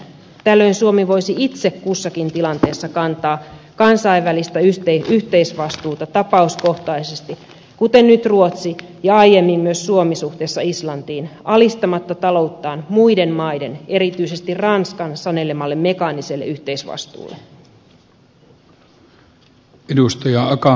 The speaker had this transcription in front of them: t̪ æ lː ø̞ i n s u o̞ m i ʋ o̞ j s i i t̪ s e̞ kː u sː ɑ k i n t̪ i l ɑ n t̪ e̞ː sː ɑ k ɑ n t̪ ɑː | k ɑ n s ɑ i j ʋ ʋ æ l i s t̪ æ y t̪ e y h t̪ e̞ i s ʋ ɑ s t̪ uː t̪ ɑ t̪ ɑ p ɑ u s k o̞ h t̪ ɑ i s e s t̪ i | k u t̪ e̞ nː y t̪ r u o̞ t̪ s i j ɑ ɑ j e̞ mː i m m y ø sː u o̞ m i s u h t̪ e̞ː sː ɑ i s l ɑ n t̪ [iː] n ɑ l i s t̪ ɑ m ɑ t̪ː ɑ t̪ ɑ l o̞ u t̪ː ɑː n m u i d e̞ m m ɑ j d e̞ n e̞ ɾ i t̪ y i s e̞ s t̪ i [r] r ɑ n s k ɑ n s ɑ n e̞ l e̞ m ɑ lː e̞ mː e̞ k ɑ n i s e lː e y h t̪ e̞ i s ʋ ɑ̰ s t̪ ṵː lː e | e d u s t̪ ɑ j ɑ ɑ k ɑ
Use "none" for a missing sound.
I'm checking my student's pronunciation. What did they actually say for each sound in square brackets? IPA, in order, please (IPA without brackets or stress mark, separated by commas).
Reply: iː, r